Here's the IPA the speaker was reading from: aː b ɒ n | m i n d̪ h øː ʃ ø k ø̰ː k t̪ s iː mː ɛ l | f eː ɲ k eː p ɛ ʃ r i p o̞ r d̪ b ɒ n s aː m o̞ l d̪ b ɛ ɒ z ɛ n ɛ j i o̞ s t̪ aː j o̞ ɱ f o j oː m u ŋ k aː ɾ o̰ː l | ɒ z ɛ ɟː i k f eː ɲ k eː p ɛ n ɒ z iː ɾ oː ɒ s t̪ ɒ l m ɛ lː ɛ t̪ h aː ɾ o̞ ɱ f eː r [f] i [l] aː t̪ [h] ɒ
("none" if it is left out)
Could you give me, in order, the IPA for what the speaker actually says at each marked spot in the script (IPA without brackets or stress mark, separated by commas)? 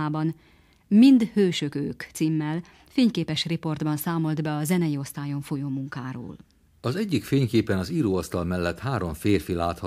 f, l, h